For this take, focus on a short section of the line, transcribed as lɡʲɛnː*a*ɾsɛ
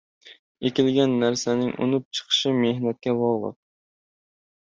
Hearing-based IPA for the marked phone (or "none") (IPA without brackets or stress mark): æ